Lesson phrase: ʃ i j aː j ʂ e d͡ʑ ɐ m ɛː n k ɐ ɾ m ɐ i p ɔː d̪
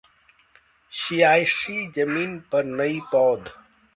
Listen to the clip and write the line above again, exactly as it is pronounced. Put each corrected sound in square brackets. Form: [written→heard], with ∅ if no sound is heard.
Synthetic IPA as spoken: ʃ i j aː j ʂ [e→i] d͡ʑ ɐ m [ɛː→iː] n [k→p] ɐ ɾ [m→n] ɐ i p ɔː d̪